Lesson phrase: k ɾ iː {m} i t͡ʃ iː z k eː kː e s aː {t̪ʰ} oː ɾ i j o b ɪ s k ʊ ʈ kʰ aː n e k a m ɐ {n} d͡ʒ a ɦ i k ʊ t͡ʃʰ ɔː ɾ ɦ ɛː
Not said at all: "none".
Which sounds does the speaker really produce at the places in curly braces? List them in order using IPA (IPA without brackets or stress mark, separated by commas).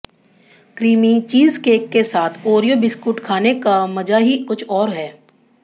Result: m, t̪ʰ, none